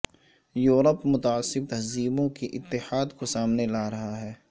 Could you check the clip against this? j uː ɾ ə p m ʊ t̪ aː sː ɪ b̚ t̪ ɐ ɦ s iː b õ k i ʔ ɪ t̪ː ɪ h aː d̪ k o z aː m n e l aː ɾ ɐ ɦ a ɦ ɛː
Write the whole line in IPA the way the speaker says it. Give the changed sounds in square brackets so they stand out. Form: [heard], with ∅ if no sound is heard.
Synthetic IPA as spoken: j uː ɾ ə p m ʊ t̪ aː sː ɪ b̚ t̪ ɐ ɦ [z] iː b õ k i ʔ ɪ t̪ː ɪ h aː d̪ k o [s] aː m n e l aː ɾ ɐ ɦ a ɦ ɛː

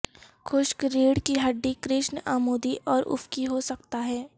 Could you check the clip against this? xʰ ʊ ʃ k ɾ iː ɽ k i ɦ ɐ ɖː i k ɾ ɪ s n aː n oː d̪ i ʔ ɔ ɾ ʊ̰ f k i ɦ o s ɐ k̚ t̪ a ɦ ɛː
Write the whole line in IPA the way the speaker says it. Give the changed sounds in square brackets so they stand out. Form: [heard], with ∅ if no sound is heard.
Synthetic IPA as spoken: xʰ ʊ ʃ k ɾ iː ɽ k i ɦ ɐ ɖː i k ɾ ɪ [ʃ] n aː [m] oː d̪ i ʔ [ɔː] ɾ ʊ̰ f k i ɦ o s ɐ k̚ t̪ a ɦ ɛː

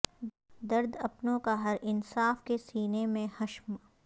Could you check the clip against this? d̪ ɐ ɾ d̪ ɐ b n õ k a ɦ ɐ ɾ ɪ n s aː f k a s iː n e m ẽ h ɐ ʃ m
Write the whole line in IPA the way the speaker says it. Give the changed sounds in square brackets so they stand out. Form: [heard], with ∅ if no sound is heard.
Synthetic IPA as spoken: d̪ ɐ ɾ d̪ ɐ [p] n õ k a ɦ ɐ ɾ ɪ n s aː f k [e] s iː n e m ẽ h ɐ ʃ m

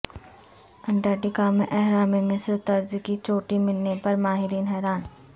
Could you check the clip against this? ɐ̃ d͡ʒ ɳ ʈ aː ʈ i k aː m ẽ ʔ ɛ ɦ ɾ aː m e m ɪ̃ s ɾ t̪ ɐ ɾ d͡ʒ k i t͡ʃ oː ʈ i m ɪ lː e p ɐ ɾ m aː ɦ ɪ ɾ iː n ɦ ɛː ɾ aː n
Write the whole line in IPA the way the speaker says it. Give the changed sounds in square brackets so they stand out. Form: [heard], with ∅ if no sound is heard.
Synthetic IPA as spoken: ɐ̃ [∅] ɳ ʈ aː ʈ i k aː m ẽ ʔ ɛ ɦ ɾ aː m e m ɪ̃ s ɾ t̪ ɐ ɾ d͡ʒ k i t͡ʃ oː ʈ i m ɪ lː e p ɐ ɾ m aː ɦ ɪ ɾ iː n ɦ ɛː ɾ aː n

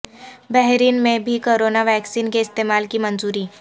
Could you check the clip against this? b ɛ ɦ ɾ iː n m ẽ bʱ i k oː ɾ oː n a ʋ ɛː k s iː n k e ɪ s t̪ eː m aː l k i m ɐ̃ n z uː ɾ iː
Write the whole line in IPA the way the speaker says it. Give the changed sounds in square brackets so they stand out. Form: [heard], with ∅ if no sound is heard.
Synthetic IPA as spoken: b ɛ ɦ ɾ iː n m ẽ bʱ i k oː ɾ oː n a ʋ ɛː k s iː n k e ɪ s t̪ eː m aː l k i m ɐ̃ n z uː ɾ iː

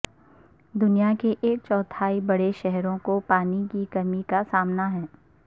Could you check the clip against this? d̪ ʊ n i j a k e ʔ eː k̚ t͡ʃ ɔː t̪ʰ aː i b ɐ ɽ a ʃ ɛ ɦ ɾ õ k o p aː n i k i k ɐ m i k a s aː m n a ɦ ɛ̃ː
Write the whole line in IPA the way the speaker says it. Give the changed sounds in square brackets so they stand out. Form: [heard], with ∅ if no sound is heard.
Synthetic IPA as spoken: d̪ ʊ n i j a k e ʔ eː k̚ t͡ʃ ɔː t̪ʰ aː i b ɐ ɽ [e] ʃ ɛ ɦ ɾ õ k o p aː n i k i k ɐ m i k a s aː m n a ɦ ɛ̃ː

